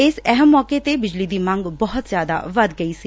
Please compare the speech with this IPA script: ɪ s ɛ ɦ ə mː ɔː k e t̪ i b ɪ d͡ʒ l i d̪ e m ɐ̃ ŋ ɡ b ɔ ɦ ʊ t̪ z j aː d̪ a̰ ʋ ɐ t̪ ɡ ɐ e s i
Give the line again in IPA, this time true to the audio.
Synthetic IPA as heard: ɪ s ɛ ɦ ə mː ɔː k e t̪ e b ɪ d͡ʒ l i d̪ i m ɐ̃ ŋ ɡ b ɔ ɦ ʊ t̪ z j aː d̪ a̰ ʋ ɐ d̪ ɡ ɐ i s i